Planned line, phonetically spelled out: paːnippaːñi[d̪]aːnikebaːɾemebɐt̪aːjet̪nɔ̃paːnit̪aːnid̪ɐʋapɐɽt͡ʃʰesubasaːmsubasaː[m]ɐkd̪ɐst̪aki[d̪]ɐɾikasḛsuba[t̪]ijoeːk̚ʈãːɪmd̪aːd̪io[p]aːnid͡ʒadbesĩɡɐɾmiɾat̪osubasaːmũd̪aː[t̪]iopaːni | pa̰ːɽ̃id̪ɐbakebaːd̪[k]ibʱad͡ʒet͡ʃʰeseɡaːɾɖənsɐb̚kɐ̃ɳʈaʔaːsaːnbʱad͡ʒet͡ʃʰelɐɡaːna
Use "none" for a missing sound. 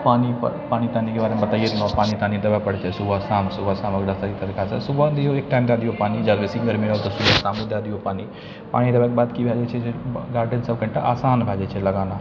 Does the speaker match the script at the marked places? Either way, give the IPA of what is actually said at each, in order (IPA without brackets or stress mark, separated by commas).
t̪, m, t̪, d̪, p, d̪, k